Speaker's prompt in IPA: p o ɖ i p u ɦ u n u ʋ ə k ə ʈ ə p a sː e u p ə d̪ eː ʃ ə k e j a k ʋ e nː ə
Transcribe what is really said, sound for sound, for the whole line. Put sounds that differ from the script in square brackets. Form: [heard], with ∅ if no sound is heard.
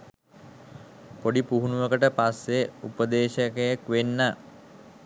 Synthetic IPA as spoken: p o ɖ i p u ɦ u n u ʋ ə k ə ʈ ə p a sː e u p ə d̪ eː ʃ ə k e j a k ʋ e nː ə